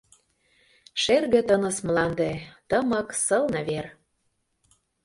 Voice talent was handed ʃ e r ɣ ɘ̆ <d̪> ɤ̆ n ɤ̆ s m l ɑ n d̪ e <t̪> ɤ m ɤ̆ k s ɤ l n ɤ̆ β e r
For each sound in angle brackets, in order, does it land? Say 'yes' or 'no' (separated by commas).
no, yes